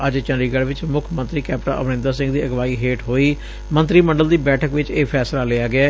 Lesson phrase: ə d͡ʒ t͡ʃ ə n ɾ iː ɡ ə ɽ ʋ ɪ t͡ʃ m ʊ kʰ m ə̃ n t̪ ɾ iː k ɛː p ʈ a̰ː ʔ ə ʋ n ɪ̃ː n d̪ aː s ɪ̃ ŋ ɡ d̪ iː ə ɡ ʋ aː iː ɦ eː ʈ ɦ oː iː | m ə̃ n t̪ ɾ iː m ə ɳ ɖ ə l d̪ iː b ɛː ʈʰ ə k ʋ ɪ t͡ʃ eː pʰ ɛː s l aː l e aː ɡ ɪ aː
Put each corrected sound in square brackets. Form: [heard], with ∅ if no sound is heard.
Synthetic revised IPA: ə d͡ʒ t͡ʃ ə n ɾ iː ɡ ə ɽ ʋ ɪ t͡ʃ m ʊ kʰ m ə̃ n t̪ ɾ iː k ɛː p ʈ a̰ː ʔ ə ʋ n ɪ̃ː n d̪ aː s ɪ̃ ŋ ɡ d̪ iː ə ɡ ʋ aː iː ɦ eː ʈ ɦ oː iː | m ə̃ n t̪ ɾ iː m ə ɳ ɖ ə l d̪ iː b ɛː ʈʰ ə k ʋ ɪ t͡ʃ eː pʰ ɛː s l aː l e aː ɡ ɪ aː